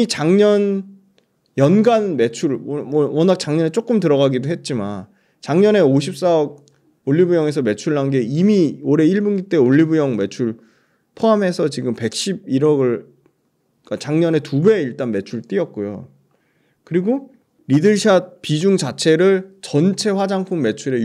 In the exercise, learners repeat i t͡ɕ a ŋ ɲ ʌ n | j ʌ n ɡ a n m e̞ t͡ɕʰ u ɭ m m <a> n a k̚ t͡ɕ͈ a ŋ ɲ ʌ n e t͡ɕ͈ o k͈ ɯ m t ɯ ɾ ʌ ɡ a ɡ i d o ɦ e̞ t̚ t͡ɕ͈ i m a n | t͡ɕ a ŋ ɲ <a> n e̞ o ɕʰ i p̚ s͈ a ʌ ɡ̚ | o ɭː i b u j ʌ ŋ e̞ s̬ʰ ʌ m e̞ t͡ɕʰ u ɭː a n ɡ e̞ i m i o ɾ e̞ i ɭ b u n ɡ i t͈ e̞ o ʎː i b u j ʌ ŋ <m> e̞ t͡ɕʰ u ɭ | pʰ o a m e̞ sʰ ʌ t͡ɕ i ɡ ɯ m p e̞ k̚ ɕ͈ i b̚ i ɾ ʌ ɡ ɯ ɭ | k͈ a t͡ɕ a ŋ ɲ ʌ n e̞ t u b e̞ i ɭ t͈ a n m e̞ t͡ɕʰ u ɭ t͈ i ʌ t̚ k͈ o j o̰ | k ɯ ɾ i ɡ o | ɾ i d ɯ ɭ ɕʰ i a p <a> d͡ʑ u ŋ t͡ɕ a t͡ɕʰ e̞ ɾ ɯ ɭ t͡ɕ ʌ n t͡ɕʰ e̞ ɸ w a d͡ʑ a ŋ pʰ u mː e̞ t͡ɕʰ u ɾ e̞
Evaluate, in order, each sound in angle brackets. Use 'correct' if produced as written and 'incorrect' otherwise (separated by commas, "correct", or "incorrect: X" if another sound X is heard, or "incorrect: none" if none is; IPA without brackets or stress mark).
incorrect: ʌ, incorrect: ʌ, correct, incorrect: i